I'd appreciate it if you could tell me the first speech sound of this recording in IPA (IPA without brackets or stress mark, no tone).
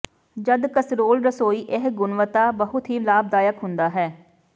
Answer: d͡ʒ